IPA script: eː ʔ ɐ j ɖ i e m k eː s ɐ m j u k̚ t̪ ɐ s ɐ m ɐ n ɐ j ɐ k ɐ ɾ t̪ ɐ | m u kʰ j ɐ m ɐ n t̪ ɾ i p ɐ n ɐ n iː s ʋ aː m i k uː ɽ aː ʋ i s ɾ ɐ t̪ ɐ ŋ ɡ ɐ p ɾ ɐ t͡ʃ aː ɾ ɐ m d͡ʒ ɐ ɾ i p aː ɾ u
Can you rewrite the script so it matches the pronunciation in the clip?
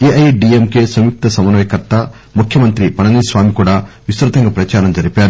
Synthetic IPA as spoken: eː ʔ ɐ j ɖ i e m k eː s ɐ m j u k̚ t̪ ɐ s ɐ m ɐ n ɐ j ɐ k ɐ ɾ t̪ ɐ | m u kʰ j ɐ m ɐ n t̪ ɾ i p ɐ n ɐ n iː s ʋ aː m i k uː ɽ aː ʋ i s ɾ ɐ t̪ ɐ ŋ ɡ ɐ p ɾ ɐ t͡ʃ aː ɾ ɐ m d͡ʒ ɐ ɾ i p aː ɾ u